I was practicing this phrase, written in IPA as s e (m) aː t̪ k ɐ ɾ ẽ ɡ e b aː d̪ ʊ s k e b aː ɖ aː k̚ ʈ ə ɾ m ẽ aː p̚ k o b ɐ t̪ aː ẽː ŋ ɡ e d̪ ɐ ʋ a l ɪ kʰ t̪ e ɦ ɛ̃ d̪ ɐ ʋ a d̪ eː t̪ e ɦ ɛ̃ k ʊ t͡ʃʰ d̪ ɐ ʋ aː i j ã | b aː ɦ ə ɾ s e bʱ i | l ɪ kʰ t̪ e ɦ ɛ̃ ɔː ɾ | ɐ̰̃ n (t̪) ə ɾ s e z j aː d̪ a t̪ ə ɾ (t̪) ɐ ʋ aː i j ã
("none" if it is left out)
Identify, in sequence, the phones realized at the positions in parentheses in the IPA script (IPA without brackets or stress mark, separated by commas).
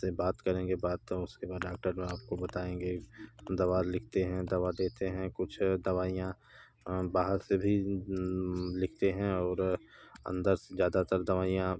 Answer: b, d̪, d̪